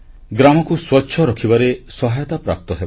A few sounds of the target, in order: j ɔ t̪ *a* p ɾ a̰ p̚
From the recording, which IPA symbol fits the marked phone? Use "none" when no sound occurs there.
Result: a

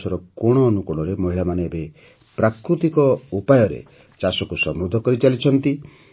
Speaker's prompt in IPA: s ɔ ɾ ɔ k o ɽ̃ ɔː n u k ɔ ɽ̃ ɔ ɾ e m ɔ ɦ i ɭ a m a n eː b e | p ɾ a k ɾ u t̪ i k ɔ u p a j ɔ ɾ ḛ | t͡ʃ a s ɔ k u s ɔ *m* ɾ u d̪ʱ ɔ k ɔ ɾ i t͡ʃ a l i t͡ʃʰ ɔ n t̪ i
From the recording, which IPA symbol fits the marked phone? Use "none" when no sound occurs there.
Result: m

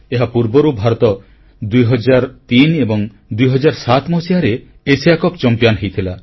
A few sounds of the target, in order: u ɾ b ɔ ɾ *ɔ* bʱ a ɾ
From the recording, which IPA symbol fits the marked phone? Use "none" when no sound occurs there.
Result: u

